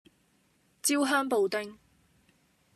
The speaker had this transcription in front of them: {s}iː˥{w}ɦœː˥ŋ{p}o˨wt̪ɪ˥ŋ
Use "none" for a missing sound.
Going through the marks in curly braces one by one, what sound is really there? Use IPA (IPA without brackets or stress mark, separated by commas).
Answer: t͡s, w, p